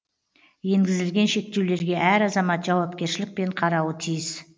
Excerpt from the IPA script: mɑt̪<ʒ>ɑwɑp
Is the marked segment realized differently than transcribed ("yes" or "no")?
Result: no